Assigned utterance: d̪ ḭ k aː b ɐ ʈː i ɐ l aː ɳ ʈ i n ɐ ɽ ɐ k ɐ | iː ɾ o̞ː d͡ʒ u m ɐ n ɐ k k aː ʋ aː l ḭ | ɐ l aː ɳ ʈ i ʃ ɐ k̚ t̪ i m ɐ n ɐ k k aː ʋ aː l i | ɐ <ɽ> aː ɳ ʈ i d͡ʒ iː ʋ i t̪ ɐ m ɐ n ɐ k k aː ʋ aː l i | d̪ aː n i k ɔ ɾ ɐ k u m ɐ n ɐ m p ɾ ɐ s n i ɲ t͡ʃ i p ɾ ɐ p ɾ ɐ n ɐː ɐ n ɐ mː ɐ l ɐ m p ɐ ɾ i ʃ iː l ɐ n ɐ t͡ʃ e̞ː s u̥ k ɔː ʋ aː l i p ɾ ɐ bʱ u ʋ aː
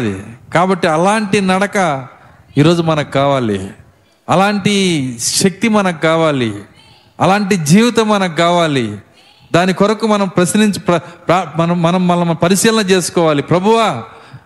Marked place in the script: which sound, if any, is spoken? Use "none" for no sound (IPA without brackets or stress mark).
l